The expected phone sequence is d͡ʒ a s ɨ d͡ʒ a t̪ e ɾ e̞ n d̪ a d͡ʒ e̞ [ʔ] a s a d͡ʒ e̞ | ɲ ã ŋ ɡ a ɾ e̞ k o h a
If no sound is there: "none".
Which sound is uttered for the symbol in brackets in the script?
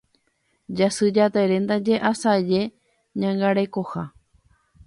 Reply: ʔ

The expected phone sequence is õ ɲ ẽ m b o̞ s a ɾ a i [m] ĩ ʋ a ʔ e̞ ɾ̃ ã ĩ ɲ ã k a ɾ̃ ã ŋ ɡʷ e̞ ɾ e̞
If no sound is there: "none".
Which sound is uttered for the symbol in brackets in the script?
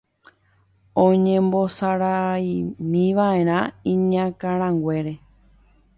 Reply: m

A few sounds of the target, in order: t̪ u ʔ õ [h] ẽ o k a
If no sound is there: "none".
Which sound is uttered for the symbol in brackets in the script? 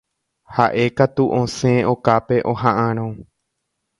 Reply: s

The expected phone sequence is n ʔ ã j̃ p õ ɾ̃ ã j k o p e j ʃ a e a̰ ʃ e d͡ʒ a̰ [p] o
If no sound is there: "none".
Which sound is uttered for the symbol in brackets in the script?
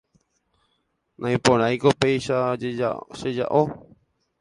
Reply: ʔ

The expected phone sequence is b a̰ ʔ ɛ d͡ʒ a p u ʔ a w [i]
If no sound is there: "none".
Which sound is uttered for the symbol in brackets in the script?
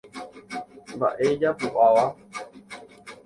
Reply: a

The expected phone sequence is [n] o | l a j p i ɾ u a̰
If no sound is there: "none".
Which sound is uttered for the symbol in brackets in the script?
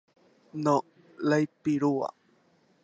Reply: n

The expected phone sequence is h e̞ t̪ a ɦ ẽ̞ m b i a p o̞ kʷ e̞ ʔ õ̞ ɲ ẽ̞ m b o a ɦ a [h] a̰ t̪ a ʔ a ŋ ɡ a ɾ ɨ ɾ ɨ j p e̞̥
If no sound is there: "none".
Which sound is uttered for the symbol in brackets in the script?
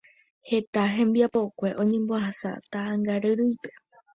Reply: s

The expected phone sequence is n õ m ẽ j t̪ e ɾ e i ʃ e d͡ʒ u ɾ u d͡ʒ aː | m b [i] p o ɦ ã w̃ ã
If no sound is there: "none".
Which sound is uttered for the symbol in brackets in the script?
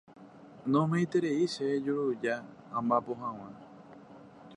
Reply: a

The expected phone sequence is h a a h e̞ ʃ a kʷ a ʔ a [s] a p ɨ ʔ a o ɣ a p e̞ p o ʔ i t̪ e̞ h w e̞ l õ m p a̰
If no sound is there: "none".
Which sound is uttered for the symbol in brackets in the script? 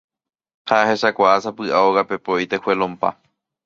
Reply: s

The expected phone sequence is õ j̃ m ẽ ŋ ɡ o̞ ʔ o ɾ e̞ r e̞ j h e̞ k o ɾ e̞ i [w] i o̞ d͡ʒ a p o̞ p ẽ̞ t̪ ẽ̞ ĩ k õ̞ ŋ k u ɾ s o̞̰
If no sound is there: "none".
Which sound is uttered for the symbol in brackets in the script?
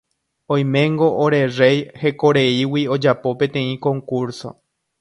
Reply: w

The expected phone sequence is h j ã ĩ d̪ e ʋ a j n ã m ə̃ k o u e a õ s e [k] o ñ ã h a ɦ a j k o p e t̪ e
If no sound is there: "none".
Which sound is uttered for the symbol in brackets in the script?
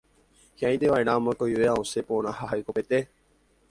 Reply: p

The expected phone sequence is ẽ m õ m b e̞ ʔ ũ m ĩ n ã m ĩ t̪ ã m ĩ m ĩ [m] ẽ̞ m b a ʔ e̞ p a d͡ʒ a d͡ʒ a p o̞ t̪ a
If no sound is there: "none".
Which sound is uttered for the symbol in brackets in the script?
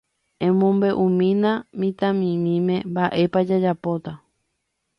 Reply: m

